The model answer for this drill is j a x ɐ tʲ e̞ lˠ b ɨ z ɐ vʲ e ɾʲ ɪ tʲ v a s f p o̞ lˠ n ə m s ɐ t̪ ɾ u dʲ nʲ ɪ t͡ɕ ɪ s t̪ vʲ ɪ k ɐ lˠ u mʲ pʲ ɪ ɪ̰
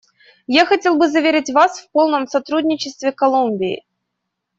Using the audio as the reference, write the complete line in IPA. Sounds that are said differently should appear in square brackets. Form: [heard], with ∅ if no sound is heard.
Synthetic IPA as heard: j a x ɐ tʲ e̞ lˠ b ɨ z ɐ vʲ e ɾʲ ɪ tʲ v a s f p o̞ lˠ n ə m s ɐ t̪ ɾ u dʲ nʲ ɪ t͡ɕ ɪ s t̪ vʲ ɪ k ɐ lˠ u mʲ [bʲ] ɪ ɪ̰